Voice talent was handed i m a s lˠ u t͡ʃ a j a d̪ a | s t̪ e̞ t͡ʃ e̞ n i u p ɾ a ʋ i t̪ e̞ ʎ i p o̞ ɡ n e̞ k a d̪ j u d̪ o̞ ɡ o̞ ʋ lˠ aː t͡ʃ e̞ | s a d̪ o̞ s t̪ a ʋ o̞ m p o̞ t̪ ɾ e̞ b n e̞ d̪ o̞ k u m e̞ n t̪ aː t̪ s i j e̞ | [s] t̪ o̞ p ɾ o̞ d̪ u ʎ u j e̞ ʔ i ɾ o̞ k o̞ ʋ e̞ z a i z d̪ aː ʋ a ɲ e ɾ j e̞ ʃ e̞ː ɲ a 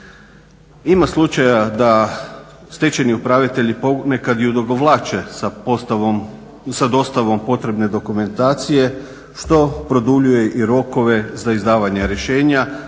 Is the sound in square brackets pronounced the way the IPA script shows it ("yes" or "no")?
no